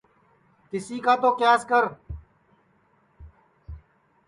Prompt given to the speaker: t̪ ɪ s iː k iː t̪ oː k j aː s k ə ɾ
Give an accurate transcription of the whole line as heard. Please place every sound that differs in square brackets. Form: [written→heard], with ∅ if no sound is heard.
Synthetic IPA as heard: t̪ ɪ s iː k [iː→aː] t̪ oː k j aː s k ə ɾ